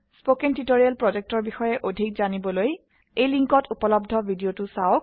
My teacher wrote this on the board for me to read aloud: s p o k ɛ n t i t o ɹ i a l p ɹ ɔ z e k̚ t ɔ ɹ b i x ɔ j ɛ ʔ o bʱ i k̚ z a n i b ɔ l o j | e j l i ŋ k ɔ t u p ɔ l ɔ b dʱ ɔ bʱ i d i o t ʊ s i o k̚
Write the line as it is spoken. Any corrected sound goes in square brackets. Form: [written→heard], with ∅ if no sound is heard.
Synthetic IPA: s p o k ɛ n t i t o ɹ i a l p ɹ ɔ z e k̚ t ɔ ɹ b i x ɔ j ɛ ʔ o [bʱ→dʱ] i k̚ z a n i b ɔ l o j | e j l i ŋ k ɔ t u p ɔ l ɔ b dʱ ɔ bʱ i d i o t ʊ s [i→a] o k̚